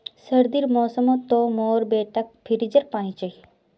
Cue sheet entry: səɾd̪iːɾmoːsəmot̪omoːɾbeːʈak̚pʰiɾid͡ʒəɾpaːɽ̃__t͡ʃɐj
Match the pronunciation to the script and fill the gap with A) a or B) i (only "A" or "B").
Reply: B